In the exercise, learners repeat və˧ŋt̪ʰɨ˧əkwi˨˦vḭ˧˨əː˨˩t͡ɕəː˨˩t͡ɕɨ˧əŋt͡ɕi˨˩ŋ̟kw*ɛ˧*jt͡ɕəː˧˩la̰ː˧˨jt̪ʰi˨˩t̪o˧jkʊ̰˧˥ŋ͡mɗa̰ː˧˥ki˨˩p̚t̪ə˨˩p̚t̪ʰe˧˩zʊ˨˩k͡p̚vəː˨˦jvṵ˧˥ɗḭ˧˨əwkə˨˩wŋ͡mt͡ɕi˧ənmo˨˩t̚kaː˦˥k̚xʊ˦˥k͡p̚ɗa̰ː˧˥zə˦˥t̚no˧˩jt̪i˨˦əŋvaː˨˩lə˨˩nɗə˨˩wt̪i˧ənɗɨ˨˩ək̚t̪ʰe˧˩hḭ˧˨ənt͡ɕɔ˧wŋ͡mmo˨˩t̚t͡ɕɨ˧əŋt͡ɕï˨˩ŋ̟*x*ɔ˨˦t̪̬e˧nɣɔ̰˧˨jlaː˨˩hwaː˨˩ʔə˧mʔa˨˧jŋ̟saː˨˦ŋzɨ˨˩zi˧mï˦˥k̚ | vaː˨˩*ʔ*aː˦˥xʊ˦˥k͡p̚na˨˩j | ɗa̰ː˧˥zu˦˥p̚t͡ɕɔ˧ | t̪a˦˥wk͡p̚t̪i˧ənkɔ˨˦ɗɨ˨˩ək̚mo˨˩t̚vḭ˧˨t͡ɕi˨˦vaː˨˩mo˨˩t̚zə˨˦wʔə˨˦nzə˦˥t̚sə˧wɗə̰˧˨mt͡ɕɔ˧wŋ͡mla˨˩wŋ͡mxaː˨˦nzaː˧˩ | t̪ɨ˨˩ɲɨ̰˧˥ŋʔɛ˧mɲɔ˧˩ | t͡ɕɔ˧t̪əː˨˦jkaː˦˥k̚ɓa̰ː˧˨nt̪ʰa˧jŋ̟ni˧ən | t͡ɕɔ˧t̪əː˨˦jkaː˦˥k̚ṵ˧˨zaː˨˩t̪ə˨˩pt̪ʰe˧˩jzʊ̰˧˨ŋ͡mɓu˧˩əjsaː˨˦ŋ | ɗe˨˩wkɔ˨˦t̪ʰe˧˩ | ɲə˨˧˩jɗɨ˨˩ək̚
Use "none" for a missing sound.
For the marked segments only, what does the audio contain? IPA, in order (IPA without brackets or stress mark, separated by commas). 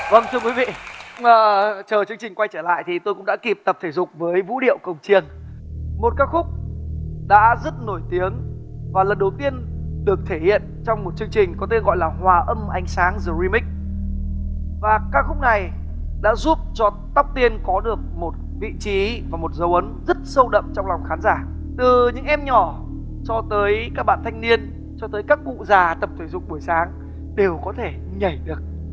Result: a˧, k, k